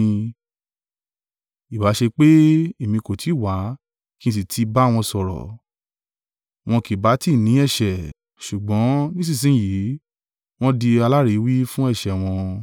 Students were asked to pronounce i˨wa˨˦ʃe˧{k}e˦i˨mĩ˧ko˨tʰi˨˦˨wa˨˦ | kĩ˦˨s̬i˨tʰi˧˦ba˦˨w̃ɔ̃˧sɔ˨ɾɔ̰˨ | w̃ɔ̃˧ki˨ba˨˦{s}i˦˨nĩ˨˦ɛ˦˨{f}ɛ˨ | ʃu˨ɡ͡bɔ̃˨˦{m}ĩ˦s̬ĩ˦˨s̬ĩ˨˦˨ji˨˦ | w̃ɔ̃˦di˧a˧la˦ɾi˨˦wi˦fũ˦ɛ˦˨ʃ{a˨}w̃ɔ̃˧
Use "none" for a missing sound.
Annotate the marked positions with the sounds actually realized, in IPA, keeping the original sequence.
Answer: k͡p, t, ʃ, n, ɛ˨

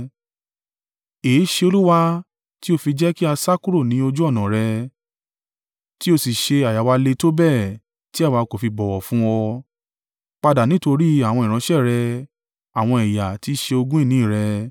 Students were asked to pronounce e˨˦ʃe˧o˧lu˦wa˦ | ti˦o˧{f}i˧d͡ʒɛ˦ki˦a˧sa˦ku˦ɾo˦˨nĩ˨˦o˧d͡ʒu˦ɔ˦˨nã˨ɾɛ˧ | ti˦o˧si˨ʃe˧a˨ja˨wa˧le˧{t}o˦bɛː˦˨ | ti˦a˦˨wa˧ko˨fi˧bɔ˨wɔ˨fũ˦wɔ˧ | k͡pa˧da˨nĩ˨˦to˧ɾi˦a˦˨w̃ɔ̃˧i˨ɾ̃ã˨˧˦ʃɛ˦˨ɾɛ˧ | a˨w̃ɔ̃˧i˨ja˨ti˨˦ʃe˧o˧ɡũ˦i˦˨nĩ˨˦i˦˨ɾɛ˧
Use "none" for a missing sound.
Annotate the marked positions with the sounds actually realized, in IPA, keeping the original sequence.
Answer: f, t

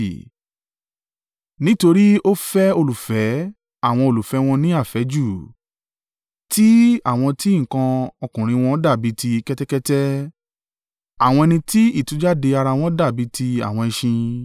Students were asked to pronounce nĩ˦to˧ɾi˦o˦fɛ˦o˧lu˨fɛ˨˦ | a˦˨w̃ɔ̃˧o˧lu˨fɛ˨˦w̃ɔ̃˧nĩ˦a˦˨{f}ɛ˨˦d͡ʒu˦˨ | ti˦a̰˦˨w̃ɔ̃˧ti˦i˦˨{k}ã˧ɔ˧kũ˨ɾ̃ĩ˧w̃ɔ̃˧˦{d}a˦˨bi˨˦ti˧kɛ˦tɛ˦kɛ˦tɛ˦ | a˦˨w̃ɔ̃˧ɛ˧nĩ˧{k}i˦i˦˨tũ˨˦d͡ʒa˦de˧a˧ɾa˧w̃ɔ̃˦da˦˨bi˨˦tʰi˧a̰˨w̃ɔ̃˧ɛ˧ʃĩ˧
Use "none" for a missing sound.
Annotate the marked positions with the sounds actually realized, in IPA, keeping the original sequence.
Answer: f, k, d, t

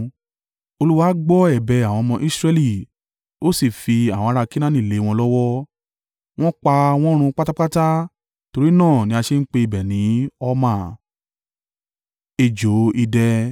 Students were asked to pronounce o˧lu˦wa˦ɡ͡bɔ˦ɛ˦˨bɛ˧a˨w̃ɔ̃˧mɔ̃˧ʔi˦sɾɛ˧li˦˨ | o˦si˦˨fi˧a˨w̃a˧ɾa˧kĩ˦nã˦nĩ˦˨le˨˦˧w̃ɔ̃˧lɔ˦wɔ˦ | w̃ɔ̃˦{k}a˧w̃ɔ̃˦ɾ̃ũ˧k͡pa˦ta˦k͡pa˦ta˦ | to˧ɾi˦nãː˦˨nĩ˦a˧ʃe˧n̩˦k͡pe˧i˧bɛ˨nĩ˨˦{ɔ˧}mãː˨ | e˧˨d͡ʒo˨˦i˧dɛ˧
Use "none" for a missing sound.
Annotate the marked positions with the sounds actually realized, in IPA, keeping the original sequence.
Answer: k͡p, ɔ˧

